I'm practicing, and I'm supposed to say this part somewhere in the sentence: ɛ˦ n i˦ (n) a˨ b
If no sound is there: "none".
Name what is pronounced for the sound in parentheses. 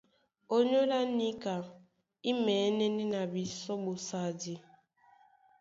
n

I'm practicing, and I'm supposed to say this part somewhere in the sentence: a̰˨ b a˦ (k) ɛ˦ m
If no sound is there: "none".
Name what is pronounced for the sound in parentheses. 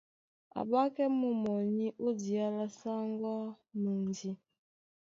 k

